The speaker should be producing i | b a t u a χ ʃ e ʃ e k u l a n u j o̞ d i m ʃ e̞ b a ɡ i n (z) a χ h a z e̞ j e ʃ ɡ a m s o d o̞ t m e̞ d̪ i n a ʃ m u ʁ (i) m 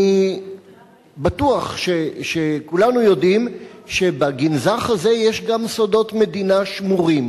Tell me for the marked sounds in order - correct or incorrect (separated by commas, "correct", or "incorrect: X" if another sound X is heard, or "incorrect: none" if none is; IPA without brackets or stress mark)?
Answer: correct, correct